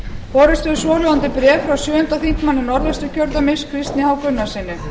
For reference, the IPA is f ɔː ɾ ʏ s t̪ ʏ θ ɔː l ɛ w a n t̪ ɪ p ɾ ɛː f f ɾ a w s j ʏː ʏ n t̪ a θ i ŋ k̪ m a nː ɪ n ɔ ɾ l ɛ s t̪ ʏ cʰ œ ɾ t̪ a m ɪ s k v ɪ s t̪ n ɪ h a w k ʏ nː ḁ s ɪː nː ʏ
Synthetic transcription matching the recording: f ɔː ɾ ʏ s t̪ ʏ s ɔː l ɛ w a n t̪ ɪ p ɾ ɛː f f ɾ a w s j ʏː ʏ n t̪ a θ i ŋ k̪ m a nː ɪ n ɔ ɾ l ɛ s t̪ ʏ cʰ œ ɾ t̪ a m ɪ s kʰ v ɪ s t̪ n ɪ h a w k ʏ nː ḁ s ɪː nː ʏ